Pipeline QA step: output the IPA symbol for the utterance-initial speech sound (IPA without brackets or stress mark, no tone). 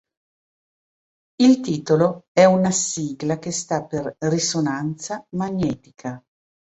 i